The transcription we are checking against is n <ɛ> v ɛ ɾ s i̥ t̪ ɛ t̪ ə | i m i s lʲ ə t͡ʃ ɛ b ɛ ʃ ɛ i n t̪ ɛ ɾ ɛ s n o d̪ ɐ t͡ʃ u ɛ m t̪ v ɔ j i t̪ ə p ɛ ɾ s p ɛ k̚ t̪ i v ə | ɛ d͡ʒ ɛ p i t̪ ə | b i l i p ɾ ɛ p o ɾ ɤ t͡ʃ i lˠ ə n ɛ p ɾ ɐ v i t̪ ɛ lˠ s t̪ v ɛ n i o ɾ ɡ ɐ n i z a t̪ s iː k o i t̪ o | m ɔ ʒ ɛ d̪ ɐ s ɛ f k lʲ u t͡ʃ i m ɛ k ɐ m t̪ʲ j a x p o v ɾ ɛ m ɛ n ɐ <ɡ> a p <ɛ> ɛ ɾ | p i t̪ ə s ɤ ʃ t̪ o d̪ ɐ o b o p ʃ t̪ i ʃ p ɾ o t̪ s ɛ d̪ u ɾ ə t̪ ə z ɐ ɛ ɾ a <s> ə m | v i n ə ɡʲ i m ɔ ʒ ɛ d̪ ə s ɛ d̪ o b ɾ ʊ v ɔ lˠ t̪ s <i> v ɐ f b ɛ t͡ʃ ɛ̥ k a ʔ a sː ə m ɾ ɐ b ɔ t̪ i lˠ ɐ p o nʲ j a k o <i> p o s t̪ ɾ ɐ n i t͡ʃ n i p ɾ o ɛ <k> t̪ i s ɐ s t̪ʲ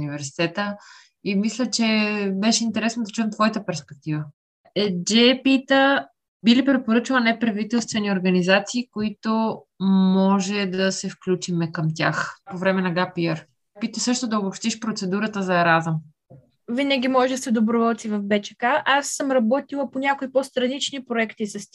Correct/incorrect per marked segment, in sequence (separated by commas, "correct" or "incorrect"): incorrect, correct, incorrect, incorrect, correct, correct, correct